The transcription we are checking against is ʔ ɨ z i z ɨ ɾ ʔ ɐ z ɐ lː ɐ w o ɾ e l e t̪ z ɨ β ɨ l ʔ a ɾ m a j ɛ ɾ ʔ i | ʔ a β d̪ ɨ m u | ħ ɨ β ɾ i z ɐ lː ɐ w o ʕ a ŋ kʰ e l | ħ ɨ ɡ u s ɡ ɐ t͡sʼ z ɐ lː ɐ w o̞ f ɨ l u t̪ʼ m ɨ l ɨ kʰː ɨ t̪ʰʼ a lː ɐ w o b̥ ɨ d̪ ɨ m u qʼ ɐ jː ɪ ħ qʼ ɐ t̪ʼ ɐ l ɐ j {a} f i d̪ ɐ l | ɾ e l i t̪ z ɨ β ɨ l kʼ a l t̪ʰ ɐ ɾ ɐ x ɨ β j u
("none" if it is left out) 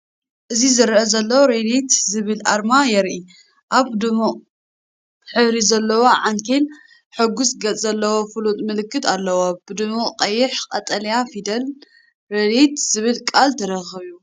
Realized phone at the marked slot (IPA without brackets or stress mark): a